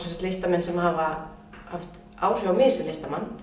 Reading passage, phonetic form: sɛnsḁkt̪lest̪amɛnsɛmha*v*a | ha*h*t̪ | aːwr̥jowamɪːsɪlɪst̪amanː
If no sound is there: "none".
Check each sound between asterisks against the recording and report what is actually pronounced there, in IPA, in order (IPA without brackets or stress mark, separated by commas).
v, f